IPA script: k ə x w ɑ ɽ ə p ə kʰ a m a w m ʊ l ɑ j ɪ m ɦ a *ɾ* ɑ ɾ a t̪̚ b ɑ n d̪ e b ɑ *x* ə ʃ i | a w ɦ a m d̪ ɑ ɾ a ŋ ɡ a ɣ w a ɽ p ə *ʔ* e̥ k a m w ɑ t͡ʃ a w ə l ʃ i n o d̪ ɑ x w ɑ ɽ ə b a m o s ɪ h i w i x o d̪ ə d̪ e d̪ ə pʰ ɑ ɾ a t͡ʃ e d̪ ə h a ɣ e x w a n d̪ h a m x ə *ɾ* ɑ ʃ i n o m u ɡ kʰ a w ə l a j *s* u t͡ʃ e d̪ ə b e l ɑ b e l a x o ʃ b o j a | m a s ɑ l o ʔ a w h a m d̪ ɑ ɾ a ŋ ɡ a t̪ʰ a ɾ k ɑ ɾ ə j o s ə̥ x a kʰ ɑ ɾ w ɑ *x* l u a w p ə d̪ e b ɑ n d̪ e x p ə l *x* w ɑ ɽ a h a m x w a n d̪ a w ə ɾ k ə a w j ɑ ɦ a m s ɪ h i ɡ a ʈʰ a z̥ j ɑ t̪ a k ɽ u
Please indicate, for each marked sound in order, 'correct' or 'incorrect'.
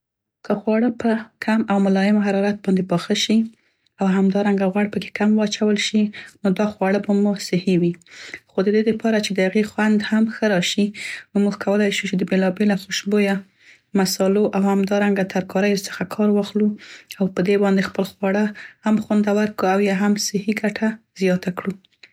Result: correct, correct, incorrect: k, correct, incorrect: ʃ, correct, correct

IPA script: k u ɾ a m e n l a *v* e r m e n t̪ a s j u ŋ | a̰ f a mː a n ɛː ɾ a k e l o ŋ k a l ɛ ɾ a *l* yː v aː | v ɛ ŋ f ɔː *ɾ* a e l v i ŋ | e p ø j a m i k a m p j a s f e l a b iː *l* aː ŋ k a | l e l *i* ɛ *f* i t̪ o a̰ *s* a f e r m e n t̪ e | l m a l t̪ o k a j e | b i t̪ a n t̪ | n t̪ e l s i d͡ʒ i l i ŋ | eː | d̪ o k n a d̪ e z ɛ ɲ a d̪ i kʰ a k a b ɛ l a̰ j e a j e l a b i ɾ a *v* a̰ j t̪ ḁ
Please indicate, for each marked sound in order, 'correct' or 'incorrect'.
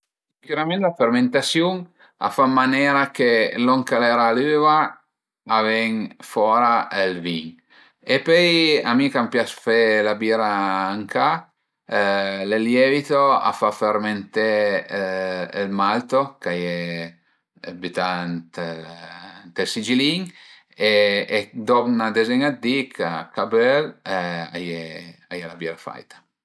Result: incorrect: f, correct, correct, incorrect: ɾ, incorrect: j, incorrect: v, incorrect: f, incorrect: f

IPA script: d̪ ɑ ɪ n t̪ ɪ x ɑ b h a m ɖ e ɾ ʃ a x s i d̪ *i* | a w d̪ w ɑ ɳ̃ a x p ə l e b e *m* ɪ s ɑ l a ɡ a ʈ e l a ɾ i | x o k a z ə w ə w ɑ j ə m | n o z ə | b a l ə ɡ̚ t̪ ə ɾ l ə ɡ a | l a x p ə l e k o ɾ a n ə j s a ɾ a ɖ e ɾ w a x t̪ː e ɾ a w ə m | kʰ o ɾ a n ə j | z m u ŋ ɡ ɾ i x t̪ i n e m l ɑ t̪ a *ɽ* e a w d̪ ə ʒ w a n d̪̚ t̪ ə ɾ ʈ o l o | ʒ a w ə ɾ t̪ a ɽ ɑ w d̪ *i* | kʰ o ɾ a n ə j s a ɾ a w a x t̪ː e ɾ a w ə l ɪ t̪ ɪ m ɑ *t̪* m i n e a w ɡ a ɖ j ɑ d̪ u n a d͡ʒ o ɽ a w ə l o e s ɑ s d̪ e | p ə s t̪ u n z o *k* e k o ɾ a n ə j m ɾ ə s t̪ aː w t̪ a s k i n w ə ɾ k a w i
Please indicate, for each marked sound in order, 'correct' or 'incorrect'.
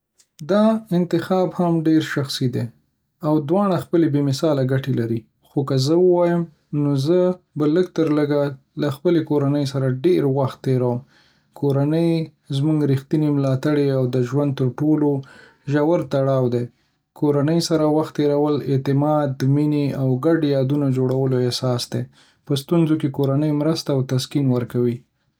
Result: incorrect: e, correct, correct, incorrect: e, incorrect: d̪, correct

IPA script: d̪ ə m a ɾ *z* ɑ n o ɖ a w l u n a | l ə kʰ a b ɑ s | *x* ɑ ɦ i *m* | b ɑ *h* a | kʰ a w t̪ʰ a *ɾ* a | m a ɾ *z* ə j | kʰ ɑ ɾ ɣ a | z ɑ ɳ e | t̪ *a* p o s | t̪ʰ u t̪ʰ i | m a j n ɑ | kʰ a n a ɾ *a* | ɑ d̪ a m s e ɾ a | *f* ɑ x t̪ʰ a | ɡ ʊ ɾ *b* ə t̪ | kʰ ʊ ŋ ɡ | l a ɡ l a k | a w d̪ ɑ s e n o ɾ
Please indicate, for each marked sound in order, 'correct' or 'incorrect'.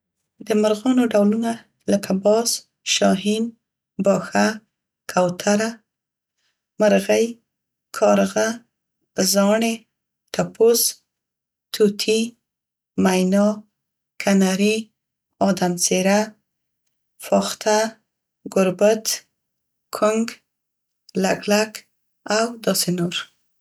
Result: incorrect: ɣ, incorrect: ʃ, incorrect: n, incorrect: x, correct, incorrect: ɣ, correct, incorrect: i, correct, correct

